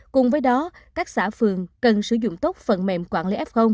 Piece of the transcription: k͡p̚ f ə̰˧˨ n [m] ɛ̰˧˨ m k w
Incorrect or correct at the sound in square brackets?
correct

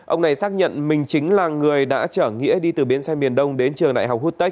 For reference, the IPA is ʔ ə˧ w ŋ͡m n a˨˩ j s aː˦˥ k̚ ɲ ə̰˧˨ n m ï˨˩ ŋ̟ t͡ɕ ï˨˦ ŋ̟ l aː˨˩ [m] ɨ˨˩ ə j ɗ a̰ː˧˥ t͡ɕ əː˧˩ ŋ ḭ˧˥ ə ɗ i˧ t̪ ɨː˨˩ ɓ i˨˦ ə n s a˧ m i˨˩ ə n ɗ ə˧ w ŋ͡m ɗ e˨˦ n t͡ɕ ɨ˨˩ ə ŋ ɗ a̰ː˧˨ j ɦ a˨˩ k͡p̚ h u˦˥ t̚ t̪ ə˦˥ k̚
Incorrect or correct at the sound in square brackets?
incorrect: ŋ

